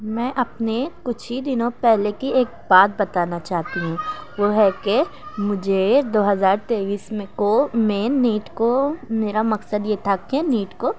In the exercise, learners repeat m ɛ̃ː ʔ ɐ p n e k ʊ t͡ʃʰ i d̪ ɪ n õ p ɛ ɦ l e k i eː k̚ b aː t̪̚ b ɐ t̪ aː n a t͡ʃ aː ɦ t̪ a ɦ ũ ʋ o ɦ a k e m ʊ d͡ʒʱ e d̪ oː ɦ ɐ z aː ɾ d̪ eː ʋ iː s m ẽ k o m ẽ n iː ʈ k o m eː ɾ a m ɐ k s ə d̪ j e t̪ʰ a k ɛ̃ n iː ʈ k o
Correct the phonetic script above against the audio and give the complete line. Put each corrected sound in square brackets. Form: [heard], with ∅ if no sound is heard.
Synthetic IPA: m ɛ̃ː ʔ ɐ p n e k ʊ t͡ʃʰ i d̪ ɪ n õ p ɛ ɦ l e k i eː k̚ b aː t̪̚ b ɐ t̪ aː n a t͡ʃ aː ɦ t̪ [i] ɦ ũ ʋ o ɦ [ɛ] k e m ʊ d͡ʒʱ e d̪ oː ɦ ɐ z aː ɾ [t̪] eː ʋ iː s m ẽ k o m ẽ n iː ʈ k o m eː ɾ a m ɐ k s ə d̪ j e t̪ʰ a k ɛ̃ n iː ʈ k o